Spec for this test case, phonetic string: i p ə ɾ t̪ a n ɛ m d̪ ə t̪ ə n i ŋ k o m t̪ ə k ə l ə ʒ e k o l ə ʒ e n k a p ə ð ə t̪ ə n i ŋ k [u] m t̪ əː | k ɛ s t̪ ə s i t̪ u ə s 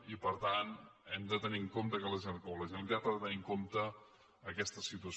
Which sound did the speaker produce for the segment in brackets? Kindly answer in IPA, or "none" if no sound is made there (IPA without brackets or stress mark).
o